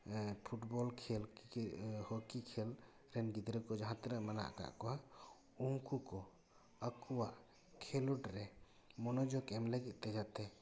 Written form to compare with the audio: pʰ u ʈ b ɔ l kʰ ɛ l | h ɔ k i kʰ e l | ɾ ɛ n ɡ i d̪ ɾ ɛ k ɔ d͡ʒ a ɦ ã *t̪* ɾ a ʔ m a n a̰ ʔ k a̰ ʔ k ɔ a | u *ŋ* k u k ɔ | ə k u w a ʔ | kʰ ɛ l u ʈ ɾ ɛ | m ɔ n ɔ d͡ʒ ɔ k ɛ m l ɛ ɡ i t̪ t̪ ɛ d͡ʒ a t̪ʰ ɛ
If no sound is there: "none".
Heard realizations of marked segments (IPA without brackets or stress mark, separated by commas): t̪, ŋ